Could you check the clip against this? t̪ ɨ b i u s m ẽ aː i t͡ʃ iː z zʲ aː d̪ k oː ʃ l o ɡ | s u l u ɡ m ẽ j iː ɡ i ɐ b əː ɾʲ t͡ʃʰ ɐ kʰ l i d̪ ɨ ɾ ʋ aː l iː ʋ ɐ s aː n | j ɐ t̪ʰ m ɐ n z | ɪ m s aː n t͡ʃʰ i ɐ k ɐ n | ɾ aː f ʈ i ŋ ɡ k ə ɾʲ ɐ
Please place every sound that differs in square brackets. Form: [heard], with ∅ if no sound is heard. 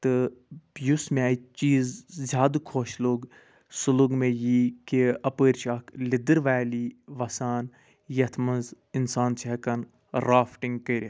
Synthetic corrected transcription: t̪ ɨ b [j] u s m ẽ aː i t͡ʃ iː z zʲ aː d̪ [kʰ] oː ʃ l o ɡ | s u l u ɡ m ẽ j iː [k] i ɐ [p] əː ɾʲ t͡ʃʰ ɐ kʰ l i d̪ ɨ ɾ ʋ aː l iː ʋ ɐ s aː n | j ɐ t̪ʰ m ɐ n z | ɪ [n] s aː n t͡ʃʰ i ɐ k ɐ n | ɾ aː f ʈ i ŋ ɡ k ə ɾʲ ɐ